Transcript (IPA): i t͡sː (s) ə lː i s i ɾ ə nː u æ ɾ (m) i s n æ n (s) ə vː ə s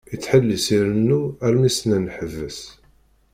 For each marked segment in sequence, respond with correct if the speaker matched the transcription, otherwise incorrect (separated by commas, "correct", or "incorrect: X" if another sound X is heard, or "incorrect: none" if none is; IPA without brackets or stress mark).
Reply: incorrect: ħ, correct, incorrect: ħ